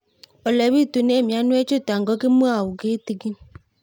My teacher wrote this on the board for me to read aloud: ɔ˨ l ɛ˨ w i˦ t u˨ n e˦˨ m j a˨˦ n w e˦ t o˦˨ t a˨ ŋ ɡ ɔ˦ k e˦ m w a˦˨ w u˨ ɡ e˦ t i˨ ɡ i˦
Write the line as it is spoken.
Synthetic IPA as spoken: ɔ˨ l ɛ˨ β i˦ t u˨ n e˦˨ m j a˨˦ n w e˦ t͡ʃ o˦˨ t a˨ ŋ ɡ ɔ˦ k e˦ m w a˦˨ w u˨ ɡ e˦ t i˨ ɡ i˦